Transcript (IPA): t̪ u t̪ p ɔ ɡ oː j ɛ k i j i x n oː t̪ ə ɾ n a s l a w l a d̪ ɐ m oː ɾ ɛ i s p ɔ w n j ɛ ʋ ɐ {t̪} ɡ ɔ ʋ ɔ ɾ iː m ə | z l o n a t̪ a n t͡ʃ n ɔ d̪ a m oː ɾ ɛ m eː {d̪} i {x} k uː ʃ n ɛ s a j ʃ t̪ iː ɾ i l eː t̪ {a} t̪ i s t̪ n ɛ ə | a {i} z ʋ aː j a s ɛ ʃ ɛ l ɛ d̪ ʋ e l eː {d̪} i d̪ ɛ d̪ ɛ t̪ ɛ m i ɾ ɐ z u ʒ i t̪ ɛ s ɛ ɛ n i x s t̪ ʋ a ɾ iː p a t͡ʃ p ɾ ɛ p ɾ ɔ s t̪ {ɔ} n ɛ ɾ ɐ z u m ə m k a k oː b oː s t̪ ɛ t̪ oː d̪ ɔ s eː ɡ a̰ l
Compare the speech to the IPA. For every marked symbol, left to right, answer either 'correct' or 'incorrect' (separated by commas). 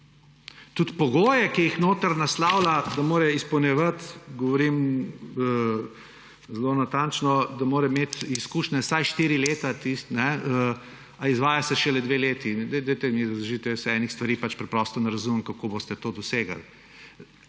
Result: correct, incorrect, incorrect, correct, correct, incorrect, correct